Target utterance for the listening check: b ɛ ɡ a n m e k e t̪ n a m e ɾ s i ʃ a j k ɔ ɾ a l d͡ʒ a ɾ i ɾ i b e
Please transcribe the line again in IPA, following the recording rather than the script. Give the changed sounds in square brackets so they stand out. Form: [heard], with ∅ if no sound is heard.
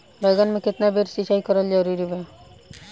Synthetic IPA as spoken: b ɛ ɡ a n m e k e t̪ n a [b] e ɾ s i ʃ a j k ɔ ɾ a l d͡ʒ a ɾ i ɾ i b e

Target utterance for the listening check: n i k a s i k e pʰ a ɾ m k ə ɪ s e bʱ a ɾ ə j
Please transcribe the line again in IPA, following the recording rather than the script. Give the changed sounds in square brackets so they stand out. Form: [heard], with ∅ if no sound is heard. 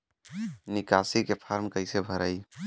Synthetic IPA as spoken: n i k a s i k e pʰ a ɾ m k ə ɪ s e bʱ [ə] ɾ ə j

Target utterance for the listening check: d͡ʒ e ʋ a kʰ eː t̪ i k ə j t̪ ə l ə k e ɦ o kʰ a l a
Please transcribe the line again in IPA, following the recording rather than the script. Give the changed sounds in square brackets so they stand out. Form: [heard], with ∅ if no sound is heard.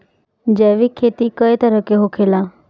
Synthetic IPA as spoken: d͡ʒ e ʋ [i] kʰ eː t̪ i k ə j t̪ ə [ɾ] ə k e ɦ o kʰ [e] l a

